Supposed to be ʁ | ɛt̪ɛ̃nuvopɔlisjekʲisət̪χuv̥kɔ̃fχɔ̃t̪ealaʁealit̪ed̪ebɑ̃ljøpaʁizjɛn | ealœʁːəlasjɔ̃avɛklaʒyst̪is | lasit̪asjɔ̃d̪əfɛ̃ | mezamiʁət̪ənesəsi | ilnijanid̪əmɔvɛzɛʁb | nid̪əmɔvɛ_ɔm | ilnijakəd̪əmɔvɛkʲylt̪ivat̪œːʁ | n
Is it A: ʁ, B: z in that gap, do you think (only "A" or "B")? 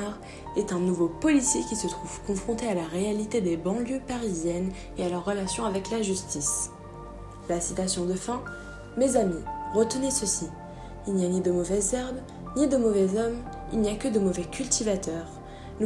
B